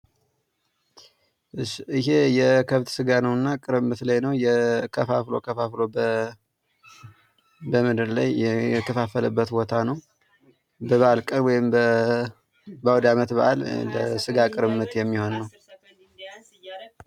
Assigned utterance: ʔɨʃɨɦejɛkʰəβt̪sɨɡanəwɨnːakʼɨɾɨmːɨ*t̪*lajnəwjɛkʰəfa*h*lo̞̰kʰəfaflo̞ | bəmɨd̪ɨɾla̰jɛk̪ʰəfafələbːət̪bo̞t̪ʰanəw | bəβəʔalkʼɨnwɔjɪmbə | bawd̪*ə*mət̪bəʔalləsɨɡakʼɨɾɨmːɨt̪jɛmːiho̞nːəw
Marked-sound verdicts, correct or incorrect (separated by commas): correct, incorrect, incorrect